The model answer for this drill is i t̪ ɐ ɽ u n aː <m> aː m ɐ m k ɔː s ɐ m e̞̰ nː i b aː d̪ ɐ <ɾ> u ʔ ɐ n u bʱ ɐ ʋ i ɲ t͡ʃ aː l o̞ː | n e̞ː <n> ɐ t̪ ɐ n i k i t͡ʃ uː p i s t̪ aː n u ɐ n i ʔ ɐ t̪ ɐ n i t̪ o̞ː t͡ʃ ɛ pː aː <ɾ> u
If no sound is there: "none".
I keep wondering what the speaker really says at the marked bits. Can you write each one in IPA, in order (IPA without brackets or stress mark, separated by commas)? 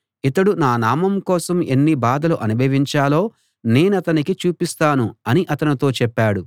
n, l, n, ɽ